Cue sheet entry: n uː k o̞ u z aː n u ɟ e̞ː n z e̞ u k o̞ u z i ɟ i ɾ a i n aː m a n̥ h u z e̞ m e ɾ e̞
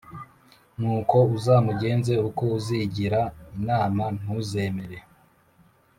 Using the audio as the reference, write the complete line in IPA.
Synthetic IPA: n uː k o̞ u z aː m u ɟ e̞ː n z e̞ u k o̞ u z i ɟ i ɾ a i n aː m a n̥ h u z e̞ m e ɾ e̞